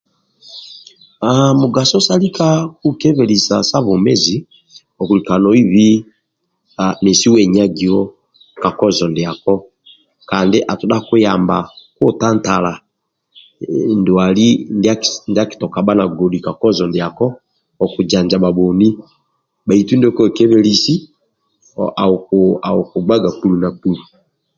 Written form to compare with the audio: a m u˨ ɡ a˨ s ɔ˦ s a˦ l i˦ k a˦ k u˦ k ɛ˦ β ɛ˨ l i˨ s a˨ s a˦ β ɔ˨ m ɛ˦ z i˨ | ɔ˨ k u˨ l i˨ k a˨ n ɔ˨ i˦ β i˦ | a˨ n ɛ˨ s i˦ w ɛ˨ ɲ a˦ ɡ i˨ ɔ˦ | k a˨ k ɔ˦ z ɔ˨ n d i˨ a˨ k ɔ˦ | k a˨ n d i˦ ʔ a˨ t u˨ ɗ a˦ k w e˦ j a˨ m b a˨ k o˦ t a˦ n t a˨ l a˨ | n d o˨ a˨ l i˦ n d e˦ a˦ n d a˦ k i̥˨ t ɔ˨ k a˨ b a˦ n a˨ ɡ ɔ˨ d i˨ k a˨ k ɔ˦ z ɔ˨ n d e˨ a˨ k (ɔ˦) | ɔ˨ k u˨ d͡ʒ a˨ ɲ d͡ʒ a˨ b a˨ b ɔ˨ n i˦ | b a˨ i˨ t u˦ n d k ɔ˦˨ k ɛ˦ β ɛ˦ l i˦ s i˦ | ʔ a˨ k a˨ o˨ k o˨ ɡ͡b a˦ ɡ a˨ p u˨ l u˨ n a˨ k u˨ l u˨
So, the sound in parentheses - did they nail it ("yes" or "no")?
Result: yes